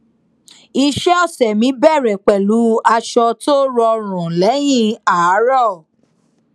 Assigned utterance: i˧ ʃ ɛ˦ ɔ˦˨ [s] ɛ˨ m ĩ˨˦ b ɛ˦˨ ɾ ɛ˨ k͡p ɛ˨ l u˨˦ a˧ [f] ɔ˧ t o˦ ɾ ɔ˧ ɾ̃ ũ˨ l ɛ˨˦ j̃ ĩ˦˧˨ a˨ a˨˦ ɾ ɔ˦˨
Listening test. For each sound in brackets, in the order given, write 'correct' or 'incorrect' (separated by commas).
correct, incorrect